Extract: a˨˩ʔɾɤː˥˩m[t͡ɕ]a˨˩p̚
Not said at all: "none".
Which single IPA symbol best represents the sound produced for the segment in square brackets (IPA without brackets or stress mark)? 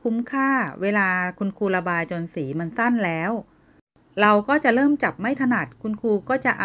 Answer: t͡ɕ